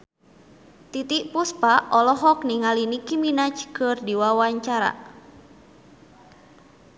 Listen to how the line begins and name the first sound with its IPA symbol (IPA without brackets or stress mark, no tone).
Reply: t̪